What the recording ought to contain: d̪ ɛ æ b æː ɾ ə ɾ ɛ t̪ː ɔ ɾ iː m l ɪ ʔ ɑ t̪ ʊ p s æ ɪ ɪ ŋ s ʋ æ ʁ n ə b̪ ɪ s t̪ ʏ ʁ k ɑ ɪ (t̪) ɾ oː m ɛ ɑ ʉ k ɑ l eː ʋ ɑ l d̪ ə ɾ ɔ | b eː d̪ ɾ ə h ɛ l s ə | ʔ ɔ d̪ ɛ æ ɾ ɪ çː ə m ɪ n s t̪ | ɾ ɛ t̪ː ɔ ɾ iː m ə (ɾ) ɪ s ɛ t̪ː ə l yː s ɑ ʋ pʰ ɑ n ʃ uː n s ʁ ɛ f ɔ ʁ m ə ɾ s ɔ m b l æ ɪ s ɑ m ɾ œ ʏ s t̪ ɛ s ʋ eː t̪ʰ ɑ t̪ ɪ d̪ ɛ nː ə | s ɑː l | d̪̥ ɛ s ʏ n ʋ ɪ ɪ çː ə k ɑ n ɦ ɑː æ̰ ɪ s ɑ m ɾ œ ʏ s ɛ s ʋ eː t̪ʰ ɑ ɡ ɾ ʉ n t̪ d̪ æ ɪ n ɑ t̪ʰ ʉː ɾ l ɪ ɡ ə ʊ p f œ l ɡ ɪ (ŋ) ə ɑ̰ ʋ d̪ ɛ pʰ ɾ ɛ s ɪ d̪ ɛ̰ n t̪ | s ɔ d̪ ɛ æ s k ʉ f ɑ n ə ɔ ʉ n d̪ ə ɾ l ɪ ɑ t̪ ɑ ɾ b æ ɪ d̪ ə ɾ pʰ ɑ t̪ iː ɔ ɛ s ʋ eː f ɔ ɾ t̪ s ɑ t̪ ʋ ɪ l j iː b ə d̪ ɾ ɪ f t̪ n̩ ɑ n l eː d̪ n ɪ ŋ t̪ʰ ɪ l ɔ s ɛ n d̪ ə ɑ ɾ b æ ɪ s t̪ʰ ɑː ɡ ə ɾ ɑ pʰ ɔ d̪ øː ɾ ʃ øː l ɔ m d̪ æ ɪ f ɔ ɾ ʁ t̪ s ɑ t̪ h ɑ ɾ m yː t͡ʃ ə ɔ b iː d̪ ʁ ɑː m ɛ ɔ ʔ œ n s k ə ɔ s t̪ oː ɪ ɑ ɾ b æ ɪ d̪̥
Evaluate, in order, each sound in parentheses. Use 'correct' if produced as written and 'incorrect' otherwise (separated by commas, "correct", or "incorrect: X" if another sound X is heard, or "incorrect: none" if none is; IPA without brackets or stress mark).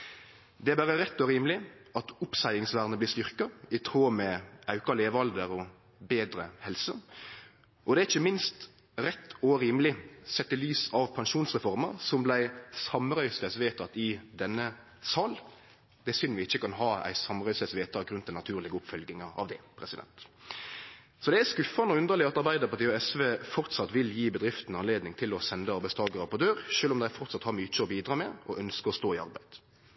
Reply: incorrect: t̪ʰ, incorrect: l, correct